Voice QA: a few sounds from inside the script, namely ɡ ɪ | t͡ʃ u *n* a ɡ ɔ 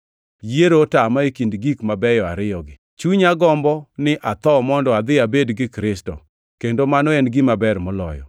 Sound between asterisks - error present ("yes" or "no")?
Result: yes